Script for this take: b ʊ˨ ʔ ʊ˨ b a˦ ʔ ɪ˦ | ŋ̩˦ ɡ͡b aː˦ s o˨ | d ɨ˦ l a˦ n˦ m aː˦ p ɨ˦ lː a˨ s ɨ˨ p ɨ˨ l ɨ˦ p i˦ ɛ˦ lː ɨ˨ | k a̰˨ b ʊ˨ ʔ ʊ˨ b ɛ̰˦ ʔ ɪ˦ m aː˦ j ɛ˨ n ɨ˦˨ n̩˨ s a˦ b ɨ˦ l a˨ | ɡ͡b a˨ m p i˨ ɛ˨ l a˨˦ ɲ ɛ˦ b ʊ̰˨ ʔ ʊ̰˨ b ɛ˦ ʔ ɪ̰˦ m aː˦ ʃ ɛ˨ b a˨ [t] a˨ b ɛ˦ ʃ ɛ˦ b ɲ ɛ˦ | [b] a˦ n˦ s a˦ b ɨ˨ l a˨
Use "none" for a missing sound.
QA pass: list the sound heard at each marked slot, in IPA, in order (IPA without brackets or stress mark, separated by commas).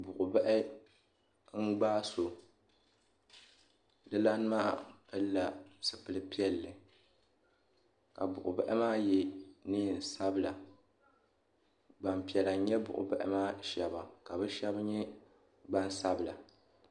k, ɡ͡b